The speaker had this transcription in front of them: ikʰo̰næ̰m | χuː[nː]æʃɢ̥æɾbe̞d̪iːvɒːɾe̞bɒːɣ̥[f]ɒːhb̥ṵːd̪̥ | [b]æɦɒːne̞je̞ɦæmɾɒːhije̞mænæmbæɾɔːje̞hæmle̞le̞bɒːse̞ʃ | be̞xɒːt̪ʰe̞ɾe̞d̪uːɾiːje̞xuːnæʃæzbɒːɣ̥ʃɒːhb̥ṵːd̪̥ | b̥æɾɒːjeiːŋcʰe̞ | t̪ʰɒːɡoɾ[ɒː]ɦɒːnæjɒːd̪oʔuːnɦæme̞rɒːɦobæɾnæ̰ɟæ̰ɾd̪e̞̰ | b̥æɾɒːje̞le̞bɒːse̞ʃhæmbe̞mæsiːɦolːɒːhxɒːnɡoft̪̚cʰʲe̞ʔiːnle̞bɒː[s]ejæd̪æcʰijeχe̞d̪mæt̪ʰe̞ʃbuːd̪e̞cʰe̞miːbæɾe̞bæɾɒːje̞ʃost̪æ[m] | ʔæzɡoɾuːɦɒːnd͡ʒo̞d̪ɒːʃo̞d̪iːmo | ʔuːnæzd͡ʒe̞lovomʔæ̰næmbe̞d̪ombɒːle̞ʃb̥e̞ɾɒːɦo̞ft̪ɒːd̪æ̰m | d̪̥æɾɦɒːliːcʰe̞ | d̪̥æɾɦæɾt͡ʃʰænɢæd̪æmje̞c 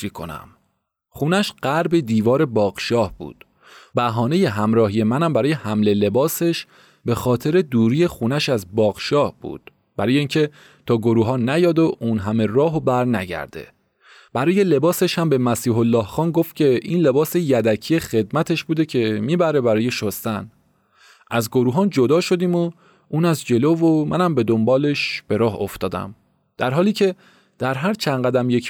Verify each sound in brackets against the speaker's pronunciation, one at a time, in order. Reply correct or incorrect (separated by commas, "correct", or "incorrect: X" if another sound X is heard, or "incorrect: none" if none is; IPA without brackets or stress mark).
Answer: incorrect: n, incorrect: ʃ, correct, incorrect: uː, correct, incorrect: n